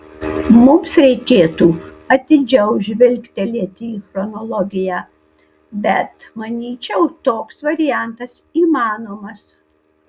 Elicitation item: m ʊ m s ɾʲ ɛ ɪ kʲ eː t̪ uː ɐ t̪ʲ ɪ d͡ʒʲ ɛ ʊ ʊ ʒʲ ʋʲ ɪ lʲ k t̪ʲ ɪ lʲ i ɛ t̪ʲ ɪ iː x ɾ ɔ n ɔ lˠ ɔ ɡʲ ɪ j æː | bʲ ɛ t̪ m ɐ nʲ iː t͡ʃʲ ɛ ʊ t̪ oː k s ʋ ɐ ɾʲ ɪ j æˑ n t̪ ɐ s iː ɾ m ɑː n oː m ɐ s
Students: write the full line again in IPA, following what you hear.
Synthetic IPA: m ʊ m s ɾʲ ɛ ɪ kʲ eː t̪ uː ɐ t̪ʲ ɪ d͡ʒʲ ɛ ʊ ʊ ʒʲ ʋʲ ɪ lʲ k t̪ʲ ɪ lʲ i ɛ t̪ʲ ɪ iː x ɾ ɔ n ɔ lˠ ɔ ɡʲ ɪ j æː | bʲ ɛ t̪ m ɐ nʲ iː t͡ʃʲ ɛ ʊ t̪ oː k s ʋ ɐ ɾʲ ɪ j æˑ n t̪ ɐ s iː m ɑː n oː m ɐ s